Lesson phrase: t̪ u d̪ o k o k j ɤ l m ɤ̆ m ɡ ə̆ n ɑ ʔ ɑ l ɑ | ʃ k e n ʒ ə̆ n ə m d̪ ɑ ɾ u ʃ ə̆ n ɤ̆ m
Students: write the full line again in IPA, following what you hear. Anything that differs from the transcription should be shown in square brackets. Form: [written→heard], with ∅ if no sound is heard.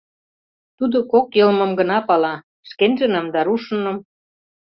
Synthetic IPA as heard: t̪ u d̪ o k o k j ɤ l m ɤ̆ m ɡ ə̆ n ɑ [ʔ→p] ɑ l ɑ | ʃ k e n ʒ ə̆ n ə m d̪ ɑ ɾ u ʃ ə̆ n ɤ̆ m